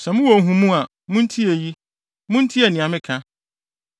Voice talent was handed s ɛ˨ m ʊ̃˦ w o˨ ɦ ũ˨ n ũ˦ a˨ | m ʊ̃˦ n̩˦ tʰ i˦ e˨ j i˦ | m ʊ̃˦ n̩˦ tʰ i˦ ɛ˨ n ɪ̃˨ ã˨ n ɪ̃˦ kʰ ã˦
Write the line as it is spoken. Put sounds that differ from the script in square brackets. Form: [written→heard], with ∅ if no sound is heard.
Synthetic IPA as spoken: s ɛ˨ m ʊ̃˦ w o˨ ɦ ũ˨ [n→m] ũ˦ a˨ | m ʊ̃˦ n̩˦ tʰ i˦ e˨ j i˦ | m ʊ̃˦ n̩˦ tʰ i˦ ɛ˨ n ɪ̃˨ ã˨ [n→m] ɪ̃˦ kʰ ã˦

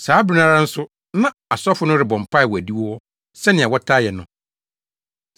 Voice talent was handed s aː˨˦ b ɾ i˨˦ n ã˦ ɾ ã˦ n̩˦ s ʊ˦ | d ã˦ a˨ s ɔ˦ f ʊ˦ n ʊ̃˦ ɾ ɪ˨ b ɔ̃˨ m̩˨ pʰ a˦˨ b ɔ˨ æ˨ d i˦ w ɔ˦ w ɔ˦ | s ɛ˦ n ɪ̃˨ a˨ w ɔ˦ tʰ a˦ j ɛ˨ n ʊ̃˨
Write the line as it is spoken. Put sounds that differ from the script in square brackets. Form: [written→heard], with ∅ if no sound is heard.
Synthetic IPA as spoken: s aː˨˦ b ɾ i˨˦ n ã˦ ɾ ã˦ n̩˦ s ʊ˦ | [d→n] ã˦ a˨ s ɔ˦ f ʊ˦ n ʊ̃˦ ɾ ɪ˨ b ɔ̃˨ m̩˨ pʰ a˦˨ [b→w] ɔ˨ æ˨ d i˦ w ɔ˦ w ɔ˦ | s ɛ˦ n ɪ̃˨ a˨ w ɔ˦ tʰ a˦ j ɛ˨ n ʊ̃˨

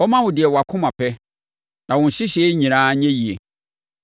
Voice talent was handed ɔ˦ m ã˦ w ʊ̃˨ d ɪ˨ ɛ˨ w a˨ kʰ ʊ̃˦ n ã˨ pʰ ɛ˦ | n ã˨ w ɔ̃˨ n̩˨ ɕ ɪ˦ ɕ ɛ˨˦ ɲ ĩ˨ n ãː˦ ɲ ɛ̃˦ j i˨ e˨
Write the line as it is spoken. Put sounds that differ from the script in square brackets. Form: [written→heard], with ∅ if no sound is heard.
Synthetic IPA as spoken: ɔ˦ m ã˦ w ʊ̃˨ d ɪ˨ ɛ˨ w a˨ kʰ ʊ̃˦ [n→m] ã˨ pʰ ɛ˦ | n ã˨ w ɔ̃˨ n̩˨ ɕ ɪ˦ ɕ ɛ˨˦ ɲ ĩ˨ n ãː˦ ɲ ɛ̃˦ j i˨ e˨

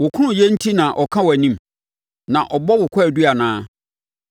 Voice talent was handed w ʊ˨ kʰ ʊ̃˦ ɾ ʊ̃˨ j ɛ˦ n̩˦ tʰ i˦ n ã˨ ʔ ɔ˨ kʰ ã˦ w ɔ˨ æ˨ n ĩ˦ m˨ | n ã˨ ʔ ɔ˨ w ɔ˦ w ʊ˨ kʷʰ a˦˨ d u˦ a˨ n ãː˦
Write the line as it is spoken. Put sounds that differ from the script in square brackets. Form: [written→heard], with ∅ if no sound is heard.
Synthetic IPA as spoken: w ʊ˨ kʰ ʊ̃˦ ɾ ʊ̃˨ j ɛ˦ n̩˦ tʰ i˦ n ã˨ ʔ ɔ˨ kʰ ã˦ w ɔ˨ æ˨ n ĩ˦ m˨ | n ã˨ ʔ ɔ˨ [w→b] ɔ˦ w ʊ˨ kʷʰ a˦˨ d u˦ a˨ n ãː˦

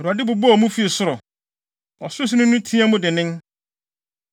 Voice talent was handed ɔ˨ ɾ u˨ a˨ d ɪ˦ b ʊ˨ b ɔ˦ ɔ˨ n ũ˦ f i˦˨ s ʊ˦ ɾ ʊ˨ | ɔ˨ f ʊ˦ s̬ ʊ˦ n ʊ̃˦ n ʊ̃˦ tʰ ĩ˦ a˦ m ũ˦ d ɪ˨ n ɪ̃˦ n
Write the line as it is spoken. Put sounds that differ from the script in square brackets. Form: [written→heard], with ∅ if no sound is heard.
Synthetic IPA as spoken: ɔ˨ ɾ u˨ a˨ d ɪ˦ b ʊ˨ b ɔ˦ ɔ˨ [n→m] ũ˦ f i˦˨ s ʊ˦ ɾ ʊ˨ | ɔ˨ [f→s] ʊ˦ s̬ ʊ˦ n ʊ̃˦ n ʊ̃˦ tʰ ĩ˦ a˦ m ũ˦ d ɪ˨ n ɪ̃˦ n

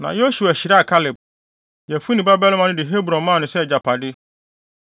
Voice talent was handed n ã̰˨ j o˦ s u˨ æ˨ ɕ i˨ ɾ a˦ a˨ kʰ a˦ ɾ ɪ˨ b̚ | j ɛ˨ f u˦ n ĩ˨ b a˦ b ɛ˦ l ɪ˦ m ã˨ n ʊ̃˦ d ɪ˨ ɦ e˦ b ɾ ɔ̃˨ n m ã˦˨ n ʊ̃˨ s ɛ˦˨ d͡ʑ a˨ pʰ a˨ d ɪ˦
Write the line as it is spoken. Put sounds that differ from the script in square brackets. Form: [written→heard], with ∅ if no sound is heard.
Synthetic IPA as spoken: n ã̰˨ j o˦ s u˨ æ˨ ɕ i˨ ɾ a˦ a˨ kʰ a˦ [ɾ→l] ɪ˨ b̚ | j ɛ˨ f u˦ n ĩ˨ b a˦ b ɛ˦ l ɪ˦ m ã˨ n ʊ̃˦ d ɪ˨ ɦ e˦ b ɾ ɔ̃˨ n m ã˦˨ n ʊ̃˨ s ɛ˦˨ d͡ʑ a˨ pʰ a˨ d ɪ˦

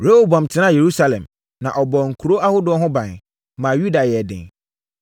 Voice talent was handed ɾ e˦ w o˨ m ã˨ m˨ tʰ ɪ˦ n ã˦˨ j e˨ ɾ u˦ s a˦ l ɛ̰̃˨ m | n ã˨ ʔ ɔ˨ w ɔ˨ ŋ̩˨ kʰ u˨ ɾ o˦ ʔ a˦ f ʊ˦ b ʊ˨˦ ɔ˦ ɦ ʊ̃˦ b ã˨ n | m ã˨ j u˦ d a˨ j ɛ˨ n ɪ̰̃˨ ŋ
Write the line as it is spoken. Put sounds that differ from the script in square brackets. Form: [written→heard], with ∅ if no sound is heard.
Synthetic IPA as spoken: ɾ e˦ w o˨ [m→b] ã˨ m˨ tʰ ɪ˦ n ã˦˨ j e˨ ɾ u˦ s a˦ l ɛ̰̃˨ m | n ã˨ ʔ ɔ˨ [w→b] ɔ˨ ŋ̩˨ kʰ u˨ ɾ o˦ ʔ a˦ [f→h] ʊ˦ [b→d] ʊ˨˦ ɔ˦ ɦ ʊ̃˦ b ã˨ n | m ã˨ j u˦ d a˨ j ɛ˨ [n→d] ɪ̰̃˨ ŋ

